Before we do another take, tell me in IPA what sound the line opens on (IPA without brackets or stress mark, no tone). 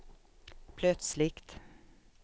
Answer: pʰ